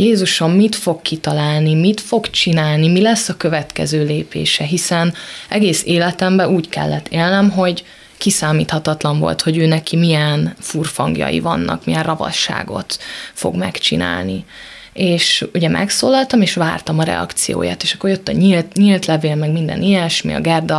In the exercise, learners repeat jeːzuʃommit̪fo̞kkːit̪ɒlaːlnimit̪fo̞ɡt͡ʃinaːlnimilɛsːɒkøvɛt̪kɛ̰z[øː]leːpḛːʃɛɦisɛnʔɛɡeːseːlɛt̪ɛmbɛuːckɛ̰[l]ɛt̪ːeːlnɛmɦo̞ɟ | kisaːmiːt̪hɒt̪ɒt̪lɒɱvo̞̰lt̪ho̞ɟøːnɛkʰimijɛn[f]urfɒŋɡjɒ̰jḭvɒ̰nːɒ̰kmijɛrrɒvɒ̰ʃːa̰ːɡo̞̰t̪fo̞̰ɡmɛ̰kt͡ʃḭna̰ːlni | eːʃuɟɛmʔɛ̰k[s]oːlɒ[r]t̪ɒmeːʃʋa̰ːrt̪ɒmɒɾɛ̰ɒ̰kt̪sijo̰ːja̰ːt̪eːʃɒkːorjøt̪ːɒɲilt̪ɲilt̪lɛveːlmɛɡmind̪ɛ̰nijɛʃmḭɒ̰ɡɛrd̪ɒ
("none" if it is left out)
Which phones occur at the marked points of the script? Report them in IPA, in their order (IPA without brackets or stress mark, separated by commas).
øː, lː, f, s, l